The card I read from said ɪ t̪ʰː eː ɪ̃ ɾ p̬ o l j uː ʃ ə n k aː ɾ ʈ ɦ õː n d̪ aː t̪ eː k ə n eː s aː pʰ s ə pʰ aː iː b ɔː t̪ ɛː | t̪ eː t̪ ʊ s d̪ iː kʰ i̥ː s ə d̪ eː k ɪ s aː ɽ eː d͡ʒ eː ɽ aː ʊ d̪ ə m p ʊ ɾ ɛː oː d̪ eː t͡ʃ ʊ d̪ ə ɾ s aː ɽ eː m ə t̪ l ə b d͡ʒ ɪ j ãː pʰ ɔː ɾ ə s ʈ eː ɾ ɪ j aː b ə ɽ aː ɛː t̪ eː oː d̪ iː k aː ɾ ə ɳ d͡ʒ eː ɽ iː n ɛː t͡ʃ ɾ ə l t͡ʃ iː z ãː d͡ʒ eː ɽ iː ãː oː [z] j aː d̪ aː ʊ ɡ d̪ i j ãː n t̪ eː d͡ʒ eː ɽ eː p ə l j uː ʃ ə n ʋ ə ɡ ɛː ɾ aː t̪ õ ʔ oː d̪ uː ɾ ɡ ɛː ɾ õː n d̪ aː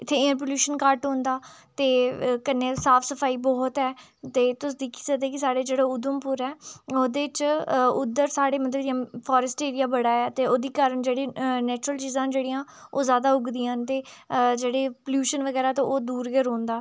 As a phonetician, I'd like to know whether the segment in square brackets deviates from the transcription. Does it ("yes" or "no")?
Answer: no